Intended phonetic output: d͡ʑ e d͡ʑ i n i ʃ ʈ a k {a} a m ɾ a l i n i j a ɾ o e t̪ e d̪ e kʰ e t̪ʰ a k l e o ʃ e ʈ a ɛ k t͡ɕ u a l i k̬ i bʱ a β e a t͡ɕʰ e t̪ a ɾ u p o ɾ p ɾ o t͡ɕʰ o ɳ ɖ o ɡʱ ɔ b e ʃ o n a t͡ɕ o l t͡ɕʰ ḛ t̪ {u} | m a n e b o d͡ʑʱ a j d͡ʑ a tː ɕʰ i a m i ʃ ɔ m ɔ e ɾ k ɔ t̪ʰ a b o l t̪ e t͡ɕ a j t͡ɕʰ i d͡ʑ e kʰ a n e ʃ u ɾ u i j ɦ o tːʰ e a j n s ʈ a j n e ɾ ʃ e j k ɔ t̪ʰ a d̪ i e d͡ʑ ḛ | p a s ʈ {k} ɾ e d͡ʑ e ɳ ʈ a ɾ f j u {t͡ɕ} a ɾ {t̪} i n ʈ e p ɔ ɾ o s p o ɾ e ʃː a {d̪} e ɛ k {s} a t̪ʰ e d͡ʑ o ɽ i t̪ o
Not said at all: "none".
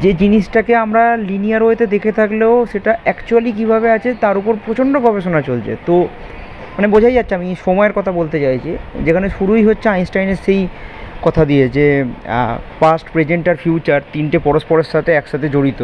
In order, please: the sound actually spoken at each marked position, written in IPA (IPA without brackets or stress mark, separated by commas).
e, o, p, t͡ɕ, t̪, t̪, ʃ